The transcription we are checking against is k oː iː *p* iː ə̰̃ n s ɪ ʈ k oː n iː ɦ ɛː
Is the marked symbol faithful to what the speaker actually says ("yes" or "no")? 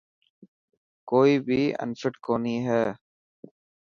no